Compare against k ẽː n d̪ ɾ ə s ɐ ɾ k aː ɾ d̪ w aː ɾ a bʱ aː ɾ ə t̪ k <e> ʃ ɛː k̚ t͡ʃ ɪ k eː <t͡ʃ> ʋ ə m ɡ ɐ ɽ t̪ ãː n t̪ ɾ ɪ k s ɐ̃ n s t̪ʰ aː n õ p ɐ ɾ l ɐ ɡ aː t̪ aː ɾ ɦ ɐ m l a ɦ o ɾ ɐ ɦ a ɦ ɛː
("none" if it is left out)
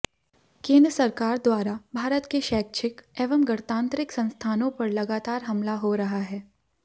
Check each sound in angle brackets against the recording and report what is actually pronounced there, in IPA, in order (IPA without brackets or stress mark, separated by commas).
e, none